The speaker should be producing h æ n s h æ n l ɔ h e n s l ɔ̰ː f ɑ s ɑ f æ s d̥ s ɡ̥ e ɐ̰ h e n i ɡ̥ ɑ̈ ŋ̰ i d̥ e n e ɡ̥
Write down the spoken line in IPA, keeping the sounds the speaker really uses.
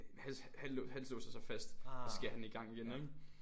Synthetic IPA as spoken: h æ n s h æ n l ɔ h æ n s l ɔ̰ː s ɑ s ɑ f æ s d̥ s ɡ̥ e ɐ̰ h æ n i ɡ̥ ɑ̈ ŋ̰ i ɡ̥ e n e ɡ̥